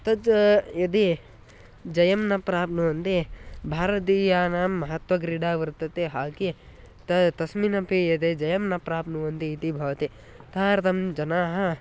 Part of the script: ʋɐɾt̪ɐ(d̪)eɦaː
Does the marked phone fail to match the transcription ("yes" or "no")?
yes